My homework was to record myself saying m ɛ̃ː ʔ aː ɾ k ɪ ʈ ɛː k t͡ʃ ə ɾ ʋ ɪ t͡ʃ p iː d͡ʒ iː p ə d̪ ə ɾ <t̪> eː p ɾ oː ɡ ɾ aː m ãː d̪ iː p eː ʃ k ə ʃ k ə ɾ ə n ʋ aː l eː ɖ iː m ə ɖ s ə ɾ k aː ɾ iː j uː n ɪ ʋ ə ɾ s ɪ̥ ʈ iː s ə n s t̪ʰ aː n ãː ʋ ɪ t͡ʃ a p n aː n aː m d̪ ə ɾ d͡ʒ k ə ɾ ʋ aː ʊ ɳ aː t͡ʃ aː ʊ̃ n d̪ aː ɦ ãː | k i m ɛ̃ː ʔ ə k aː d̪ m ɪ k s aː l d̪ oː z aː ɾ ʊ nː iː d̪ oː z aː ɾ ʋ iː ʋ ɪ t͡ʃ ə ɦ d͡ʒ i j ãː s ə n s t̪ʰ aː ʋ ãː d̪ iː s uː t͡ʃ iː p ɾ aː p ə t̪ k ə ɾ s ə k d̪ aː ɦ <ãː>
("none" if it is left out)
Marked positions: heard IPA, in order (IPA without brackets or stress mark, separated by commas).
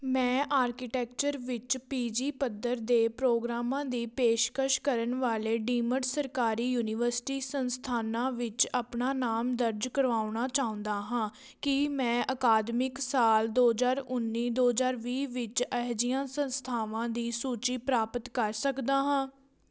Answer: d̪, ãː